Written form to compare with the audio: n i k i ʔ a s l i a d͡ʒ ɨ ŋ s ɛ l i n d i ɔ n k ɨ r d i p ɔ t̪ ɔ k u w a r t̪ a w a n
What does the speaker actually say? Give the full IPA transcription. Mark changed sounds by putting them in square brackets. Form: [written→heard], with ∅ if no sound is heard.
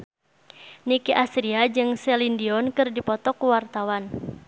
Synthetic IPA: n i k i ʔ a s [l→ɾ] i a d͡ʒ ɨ ŋ s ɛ l i n d i ɔ n k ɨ r d i p ɔ t̪ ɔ k u w a r t̪ a w a n